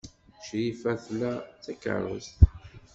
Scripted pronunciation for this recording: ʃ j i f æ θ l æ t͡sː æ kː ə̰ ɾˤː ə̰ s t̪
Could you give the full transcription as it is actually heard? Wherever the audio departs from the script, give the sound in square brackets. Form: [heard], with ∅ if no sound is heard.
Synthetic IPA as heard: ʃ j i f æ θ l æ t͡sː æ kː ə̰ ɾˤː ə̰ s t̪